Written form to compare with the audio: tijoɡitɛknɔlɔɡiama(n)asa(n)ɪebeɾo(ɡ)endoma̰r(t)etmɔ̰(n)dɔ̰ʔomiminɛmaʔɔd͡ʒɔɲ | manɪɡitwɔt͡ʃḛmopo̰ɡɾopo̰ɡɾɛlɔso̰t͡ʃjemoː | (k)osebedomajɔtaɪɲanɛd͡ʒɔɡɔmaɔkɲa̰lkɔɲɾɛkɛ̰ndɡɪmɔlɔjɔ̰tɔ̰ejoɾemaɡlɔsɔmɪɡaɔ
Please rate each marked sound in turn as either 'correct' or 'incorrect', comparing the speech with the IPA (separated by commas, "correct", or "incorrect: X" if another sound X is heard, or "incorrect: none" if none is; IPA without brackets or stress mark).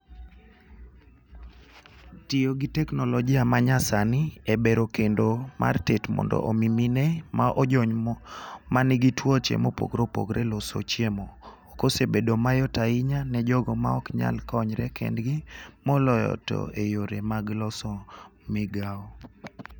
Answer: incorrect: ɲ, correct, incorrect: k, correct, correct, correct